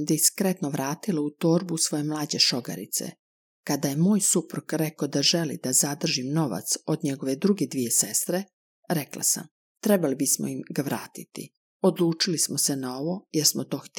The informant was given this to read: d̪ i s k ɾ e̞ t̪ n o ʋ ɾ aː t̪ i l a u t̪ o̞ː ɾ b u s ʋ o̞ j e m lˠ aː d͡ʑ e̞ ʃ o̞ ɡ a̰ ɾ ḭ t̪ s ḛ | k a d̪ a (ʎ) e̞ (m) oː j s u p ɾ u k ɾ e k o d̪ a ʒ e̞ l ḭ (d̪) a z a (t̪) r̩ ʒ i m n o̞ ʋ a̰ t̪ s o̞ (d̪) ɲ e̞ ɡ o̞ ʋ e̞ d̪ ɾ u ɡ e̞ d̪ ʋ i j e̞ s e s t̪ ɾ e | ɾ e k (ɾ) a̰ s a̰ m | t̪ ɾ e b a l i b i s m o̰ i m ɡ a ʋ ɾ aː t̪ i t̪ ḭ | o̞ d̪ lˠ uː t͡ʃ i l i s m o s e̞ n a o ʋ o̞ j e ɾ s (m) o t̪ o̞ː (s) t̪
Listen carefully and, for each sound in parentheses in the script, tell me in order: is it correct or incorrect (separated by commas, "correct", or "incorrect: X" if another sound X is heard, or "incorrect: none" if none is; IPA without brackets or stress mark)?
incorrect: j, correct, correct, incorrect: d̪, correct, incorrect: l, correct, incorrect: x